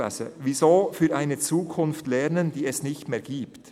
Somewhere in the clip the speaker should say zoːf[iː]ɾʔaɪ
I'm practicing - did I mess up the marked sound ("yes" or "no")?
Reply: yes